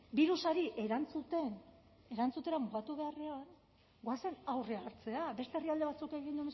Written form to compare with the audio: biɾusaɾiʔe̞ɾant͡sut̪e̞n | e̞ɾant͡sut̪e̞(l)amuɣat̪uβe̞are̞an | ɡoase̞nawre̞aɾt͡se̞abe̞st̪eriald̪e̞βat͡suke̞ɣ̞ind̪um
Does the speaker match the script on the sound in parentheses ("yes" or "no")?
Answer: no